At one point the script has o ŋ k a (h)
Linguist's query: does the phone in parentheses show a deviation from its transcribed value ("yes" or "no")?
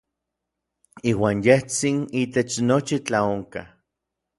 yes